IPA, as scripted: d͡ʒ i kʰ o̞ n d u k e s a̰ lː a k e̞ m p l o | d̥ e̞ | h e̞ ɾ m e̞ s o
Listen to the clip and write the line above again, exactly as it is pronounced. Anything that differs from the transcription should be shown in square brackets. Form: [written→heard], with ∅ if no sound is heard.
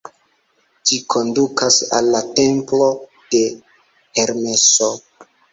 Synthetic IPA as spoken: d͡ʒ i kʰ o̞ n d u k [e→a] s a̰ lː a [k→t] e̞ m p l o | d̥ e̞ | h e̞ ɾ m e̞ s o